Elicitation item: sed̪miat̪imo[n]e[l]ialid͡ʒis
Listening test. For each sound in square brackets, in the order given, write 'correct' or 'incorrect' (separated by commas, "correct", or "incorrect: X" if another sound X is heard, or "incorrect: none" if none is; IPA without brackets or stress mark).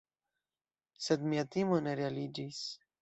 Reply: correct, incorrect: ɾ